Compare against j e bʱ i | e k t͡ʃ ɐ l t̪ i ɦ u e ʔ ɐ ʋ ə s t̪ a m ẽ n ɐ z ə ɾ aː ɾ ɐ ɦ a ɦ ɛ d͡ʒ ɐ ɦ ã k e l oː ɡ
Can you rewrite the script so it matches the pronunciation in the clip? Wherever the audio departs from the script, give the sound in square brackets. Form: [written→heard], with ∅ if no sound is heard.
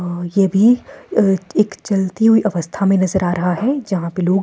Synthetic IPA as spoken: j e bʱ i | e k t͡ʃ ɐ l t̪ i ɦ u [e→i] ʔ ɐ ʋ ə s [t̪→t̪ʰ] a m ẽ n ɐ z ə ɾ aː ɾ ɐ ɦ a ɦ ɛ d͡ʒ ɐ ɦ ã [k→p] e l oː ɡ